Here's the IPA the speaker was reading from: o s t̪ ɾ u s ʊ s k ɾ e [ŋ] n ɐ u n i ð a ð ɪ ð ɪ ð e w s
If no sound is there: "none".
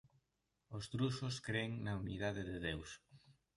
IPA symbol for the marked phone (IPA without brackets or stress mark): ŋ